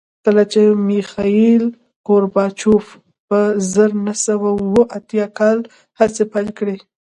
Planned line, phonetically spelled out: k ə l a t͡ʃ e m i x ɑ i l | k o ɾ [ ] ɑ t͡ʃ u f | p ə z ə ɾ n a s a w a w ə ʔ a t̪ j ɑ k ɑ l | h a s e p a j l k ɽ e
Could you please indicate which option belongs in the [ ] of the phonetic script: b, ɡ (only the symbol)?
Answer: b